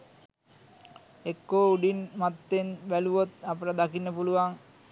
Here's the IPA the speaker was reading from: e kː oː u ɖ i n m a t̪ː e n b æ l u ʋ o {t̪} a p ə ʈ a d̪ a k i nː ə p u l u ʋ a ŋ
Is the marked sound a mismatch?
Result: no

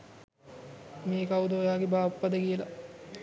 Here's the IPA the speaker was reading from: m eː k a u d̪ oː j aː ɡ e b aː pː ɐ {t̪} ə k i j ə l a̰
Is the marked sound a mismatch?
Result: yes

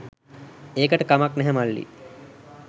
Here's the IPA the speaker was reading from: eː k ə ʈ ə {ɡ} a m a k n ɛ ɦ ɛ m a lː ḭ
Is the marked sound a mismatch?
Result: yes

